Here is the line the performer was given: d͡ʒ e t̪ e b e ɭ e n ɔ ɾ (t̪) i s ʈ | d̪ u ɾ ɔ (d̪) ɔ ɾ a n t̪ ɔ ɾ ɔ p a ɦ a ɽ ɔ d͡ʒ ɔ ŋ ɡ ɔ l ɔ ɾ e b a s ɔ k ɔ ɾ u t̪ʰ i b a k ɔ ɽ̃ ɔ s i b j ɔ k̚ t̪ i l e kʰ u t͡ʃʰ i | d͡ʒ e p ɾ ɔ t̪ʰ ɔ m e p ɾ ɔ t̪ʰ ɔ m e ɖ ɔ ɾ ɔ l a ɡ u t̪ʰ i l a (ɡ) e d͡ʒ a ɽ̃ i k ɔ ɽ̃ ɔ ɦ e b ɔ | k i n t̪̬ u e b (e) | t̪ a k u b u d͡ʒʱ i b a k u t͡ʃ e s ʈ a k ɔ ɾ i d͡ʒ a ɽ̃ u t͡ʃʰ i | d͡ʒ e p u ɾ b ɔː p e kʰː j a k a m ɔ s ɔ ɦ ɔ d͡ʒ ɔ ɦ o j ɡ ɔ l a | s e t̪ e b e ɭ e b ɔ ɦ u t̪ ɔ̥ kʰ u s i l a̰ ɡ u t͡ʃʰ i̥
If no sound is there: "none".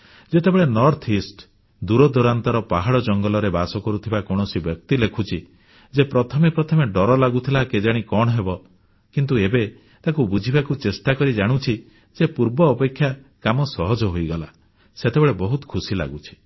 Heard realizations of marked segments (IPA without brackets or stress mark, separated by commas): t̪ʰ, d̪, k, e